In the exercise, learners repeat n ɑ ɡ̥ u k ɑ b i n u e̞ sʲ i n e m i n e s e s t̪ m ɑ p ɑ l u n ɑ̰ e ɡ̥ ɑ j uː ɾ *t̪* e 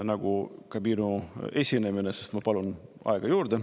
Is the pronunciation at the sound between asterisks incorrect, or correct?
incorrect: d̪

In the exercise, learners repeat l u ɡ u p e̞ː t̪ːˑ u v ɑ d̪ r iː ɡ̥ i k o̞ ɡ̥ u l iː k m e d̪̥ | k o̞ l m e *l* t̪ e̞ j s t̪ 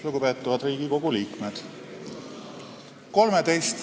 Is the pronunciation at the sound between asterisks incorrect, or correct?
incorrect: none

